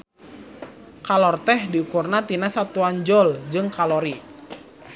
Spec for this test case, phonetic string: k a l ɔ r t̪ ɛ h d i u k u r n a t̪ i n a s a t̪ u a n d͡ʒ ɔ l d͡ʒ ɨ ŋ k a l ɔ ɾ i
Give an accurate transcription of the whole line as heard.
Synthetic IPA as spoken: k a l ɔ r t̪ ɛ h d i u k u r n a t̪ i n a s a t̪ u a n d͡ʒ ɔ l d͡ʒ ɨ ŋ k a l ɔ ɾ i